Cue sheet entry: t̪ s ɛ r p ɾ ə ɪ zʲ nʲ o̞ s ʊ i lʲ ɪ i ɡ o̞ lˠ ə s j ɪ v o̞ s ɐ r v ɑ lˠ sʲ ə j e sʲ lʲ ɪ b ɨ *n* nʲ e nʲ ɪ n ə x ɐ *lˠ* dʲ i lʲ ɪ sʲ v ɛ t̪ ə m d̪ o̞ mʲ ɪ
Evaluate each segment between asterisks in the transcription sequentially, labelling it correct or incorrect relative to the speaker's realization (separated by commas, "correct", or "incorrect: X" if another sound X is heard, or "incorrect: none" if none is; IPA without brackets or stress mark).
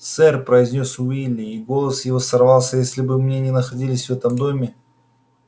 incorrect: m, incorrect: none